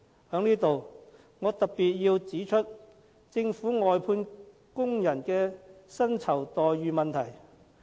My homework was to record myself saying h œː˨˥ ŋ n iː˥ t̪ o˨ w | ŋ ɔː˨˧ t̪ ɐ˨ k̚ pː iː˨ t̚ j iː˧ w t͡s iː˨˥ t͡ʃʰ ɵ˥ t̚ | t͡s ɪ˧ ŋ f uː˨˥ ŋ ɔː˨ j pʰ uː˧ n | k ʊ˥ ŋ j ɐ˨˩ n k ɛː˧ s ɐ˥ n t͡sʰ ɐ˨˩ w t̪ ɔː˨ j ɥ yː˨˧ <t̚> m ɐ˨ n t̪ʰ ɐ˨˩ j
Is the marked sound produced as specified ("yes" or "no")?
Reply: no